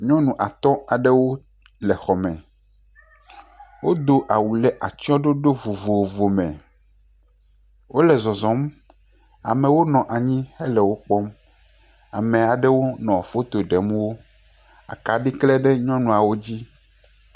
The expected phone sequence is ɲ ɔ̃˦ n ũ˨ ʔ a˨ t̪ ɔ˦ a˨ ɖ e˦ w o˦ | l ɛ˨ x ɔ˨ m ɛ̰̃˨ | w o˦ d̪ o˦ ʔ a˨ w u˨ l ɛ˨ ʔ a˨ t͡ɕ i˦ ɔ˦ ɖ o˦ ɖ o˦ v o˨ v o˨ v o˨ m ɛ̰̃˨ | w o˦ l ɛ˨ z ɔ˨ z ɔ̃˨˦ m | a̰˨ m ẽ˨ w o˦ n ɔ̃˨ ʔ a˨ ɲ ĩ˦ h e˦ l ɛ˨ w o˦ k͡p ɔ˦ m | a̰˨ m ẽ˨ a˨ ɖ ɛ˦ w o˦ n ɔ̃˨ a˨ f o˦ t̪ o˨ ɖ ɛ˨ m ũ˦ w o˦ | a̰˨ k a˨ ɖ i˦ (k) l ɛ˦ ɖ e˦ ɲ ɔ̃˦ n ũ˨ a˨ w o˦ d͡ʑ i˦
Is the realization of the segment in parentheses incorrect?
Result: no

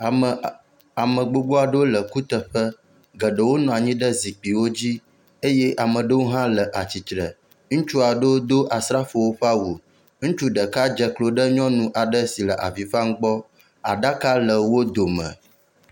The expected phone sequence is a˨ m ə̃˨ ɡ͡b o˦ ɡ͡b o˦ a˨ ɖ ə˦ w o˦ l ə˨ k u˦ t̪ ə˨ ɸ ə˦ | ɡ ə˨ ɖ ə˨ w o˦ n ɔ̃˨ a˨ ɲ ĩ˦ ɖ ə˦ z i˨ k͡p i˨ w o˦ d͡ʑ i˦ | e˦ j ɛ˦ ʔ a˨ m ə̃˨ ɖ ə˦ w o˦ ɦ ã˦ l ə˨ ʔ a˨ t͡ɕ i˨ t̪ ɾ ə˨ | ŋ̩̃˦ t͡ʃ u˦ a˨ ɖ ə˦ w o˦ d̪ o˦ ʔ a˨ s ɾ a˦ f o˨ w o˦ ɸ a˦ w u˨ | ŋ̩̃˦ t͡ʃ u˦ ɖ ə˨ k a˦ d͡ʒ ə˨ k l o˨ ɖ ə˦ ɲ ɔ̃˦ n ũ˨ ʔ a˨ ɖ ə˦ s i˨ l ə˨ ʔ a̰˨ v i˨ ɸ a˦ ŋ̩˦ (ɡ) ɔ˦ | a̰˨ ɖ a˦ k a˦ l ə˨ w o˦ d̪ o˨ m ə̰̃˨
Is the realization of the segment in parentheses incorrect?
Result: yes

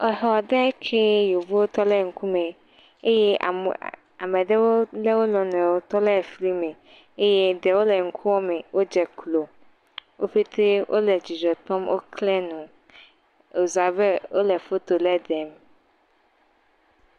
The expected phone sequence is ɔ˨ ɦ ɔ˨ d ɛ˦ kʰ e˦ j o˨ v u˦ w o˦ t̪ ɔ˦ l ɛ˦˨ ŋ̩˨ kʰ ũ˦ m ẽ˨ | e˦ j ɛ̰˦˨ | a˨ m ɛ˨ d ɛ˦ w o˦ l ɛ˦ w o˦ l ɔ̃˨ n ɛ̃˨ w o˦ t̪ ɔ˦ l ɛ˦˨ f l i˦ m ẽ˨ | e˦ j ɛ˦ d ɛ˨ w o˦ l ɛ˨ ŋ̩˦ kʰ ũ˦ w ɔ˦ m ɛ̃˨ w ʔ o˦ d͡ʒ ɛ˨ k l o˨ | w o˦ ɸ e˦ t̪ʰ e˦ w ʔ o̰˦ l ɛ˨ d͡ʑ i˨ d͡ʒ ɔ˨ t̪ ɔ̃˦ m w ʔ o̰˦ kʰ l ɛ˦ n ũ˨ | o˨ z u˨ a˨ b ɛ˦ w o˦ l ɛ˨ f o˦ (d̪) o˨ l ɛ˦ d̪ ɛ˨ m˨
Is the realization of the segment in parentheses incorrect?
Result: yes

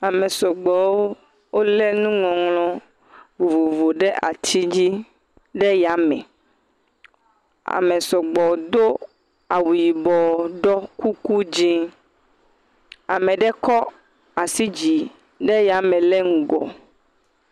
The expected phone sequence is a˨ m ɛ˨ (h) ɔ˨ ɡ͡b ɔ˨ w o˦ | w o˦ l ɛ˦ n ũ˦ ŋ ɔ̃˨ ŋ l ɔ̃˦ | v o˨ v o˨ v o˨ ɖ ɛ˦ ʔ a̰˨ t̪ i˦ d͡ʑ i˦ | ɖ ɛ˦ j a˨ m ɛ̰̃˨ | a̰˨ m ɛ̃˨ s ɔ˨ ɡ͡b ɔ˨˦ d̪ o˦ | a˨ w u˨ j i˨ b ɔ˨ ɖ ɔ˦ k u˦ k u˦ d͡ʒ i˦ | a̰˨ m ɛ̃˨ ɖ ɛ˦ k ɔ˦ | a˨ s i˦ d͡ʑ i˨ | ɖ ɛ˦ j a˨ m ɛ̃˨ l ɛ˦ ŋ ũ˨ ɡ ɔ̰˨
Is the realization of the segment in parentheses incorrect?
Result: yes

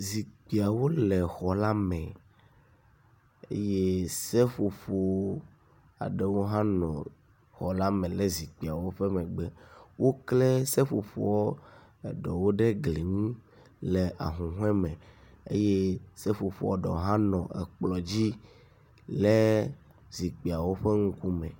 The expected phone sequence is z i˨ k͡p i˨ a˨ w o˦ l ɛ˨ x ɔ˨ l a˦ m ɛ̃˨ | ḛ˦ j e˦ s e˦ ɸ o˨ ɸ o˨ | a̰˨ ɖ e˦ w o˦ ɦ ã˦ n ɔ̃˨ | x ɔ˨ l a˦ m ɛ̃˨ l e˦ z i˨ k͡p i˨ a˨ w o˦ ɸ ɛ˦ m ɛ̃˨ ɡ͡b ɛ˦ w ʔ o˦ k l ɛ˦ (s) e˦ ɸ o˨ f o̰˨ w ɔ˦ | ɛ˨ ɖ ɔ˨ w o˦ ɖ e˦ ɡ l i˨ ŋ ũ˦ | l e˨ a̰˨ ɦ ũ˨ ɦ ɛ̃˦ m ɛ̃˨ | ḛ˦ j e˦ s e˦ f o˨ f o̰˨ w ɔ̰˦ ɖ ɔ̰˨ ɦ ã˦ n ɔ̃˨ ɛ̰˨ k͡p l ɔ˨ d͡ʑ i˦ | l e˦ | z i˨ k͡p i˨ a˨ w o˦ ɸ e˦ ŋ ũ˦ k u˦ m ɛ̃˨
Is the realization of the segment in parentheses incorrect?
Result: no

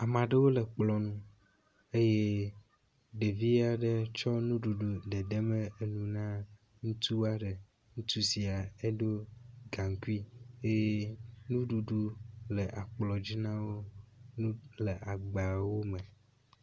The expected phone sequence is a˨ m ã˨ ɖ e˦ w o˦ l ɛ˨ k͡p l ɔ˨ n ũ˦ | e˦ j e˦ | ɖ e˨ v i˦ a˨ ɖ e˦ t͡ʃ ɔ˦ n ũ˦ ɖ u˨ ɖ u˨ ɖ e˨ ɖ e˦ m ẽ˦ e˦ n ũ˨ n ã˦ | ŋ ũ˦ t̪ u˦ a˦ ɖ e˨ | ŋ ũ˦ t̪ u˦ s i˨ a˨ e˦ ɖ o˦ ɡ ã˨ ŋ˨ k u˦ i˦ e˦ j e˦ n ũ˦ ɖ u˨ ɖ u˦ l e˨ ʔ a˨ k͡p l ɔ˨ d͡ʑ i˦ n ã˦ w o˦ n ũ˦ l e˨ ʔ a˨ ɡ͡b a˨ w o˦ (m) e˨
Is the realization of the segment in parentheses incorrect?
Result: no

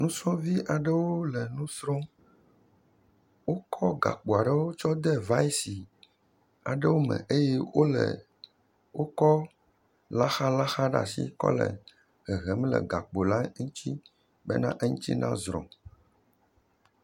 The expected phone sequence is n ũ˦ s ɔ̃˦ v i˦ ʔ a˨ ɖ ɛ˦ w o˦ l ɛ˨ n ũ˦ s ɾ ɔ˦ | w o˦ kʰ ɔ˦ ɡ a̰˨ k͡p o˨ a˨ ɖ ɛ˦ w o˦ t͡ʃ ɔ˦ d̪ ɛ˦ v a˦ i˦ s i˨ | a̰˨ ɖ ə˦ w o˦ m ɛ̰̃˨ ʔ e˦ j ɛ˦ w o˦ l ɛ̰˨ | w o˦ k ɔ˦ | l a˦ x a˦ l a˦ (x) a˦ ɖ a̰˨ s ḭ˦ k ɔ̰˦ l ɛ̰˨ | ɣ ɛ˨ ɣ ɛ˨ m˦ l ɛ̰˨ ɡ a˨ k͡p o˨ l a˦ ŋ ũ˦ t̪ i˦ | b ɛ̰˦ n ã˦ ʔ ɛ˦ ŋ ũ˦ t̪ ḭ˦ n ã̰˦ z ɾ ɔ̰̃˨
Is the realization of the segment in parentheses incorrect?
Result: no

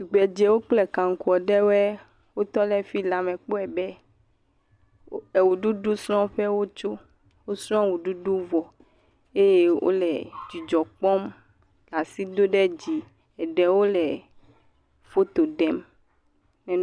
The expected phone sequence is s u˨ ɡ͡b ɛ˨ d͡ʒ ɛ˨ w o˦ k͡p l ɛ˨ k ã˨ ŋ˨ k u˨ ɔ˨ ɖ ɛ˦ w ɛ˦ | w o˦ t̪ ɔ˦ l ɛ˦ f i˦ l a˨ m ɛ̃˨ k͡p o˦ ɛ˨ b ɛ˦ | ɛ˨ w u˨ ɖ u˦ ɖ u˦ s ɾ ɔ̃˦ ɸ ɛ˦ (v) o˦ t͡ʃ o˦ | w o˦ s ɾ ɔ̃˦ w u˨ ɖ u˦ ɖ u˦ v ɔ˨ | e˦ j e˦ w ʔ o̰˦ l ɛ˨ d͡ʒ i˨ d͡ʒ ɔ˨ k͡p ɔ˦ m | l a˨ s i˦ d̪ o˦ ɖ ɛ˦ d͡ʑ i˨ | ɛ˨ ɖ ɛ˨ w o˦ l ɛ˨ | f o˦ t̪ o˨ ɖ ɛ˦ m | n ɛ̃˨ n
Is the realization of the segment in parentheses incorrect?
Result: yes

